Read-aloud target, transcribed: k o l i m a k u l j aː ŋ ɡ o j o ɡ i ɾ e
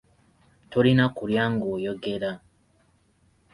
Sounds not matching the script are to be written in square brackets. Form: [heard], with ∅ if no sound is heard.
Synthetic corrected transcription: [t] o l i [n] a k u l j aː ŋ ɡ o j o ɡ [e] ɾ [a]